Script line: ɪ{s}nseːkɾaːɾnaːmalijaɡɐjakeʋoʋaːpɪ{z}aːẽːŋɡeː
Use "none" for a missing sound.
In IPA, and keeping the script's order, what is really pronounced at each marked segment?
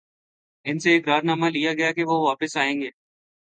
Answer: none, s

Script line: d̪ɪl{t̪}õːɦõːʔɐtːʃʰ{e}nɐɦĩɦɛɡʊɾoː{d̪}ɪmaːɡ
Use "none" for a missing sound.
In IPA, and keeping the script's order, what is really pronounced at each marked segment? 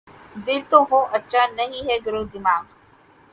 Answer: t̪, a, d̪

